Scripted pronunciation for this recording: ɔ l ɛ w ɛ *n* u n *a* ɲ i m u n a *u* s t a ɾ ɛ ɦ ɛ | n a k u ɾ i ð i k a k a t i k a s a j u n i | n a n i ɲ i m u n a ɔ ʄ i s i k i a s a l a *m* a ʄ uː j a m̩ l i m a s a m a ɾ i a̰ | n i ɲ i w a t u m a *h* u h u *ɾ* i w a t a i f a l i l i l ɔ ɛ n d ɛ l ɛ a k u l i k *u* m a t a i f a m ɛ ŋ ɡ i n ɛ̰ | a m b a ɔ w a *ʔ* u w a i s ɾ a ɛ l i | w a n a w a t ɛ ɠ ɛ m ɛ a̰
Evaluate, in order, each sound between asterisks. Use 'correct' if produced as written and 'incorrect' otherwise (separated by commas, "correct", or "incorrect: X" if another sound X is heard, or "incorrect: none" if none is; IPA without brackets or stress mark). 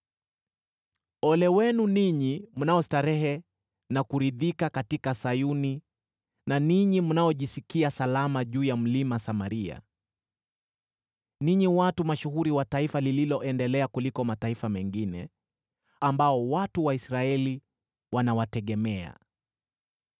correct, incorrect: i, incorrect: ɔ, correct, incorrect: ʃ, correct, incorrect: ɔ, incorrect: t